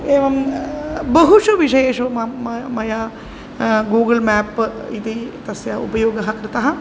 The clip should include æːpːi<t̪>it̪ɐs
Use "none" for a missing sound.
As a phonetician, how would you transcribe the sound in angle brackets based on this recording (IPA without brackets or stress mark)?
t̪